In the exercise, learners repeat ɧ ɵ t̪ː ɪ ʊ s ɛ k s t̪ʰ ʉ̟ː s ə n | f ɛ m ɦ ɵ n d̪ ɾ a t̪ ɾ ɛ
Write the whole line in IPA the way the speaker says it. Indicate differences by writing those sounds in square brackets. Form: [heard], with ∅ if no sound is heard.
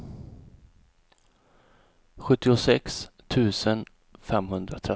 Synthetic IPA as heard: ɧ ɵ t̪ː ɪ ʊ s ɛ k s t̪ʰ ʉ̟ː s ə n | f ɛ m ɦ ɵ n d̪ ɾ a [t̪ʰ] ɾ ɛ